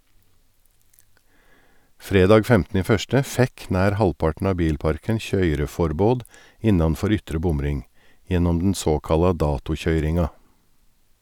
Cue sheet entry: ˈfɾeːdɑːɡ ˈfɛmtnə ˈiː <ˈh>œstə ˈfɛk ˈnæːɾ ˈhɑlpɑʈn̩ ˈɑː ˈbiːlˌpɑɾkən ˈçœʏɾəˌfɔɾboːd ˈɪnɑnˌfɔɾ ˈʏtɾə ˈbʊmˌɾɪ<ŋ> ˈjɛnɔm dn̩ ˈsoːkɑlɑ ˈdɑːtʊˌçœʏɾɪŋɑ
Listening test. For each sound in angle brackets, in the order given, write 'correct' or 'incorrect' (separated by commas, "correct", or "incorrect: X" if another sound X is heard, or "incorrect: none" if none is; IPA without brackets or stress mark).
incorrect: f, correct